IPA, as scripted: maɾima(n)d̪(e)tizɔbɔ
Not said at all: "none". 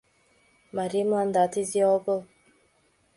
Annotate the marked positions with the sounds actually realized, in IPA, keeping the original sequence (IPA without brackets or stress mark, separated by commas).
n, a